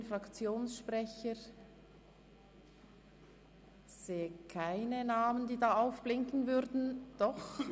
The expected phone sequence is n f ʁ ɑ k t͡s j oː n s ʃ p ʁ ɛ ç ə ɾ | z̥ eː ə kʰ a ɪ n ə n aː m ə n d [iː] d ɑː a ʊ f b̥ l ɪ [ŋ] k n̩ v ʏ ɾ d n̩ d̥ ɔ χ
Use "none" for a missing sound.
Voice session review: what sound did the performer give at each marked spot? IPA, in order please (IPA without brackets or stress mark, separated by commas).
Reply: iː, ŋ